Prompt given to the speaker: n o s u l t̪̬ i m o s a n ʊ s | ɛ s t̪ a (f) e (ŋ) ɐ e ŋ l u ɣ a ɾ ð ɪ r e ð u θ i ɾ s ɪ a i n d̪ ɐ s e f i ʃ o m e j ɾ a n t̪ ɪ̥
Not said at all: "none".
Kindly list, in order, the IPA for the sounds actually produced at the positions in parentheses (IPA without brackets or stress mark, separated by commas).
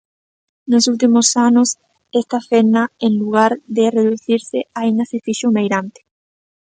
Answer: f, n